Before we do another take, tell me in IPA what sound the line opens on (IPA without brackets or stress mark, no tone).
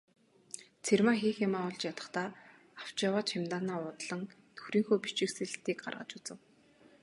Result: t͡sʰ